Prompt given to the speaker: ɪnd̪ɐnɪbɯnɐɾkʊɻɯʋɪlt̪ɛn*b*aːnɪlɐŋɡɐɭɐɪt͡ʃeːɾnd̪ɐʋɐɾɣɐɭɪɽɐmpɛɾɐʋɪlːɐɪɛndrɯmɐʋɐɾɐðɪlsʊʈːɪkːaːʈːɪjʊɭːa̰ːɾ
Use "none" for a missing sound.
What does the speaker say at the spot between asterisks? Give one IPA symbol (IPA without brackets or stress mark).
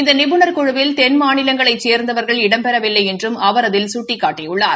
m